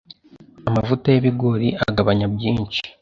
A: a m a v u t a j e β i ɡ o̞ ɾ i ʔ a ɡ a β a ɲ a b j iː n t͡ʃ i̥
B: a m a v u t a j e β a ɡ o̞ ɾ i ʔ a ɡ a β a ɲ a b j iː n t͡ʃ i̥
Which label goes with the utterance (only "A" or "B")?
A